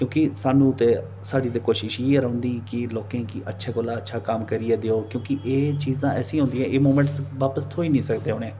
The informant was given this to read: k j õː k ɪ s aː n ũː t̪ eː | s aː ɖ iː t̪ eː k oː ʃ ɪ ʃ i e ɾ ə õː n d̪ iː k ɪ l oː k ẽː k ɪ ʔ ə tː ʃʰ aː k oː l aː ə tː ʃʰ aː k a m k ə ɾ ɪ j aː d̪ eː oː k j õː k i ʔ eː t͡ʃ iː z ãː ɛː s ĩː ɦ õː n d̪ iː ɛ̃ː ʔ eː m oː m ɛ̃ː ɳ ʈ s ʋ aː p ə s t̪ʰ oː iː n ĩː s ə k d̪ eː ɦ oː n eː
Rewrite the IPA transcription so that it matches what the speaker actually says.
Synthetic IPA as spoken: k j õː k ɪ s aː n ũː t̪ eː | s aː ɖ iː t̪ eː k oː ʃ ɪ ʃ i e ɾ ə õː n d̪ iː k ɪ l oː k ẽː k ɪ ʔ ə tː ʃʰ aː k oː l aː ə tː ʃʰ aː k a m k ə ɾ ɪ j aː d̪ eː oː k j õː k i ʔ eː t͡ʃ iː z ãː ɛː s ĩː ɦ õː n d̪ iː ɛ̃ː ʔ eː m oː m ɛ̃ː ɳ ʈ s ʋ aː p ə s t̪ʰ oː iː n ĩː s ə k d̪ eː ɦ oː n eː

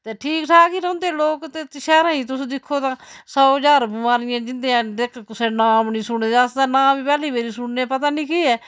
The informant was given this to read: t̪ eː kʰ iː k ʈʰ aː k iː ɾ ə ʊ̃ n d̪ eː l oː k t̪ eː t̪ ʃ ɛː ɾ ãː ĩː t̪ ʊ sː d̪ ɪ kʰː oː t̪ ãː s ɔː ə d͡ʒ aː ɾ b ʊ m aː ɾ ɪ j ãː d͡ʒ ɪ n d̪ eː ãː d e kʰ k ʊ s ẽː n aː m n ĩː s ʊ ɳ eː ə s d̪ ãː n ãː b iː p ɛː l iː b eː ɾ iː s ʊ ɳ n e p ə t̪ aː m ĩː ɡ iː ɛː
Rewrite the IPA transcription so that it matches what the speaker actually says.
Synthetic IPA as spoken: t̪ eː ʈʰ iː k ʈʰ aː k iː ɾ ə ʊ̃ n d̪ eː l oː k t̪ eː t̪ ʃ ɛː ɾ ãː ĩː t̪ ʊ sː d̪ ɪ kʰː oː t̪ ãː s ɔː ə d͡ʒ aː ɾ b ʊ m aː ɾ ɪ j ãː d͡ʒ ɪ n d̪ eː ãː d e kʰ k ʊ s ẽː n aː m n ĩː s ʊ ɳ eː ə s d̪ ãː n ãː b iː p ɛː l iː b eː ɾ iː s ʊ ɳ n e p ə t̪ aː n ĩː k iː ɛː

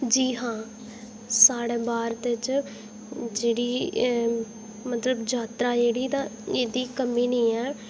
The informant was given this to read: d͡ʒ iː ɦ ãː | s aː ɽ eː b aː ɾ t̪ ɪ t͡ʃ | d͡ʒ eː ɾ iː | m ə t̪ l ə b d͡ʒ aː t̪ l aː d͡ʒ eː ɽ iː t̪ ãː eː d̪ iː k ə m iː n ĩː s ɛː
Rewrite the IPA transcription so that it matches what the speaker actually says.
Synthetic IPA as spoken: d͡ʒ iː ɦ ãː | s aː ɽ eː b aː ɾ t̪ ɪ t͡ʃ | d͡ʒ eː ɽ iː | m ə t̪ l ə b d͡ʒ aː t̪ ɾ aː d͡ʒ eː ɽ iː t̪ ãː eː d̪ iː k ə m iː n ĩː ɛː

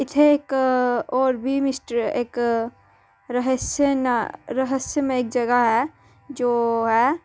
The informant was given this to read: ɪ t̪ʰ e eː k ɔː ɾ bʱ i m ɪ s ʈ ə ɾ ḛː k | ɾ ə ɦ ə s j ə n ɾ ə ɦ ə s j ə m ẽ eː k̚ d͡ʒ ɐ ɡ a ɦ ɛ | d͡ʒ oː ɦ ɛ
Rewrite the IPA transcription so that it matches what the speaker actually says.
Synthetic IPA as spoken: ɪ t̪ʰ e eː k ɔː ɾ bʱ i m ɪ s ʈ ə ɾ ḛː k | ɾ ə ɦ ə s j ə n ɾ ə ɦ ə s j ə m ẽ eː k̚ d͡ʒ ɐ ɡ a ɦ ɛ | d͡ʒ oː ɦ ɛ

